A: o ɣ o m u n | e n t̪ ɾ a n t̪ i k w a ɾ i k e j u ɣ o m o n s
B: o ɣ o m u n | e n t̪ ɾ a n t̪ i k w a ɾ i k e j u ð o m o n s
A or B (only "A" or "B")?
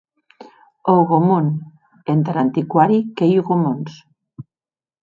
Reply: A